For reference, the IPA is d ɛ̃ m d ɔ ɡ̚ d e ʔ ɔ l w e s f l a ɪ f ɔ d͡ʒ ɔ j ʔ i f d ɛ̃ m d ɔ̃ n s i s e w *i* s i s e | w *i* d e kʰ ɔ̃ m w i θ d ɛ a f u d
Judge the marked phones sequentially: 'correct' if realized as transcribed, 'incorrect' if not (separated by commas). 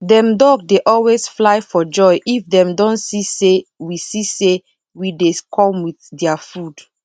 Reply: correct, correct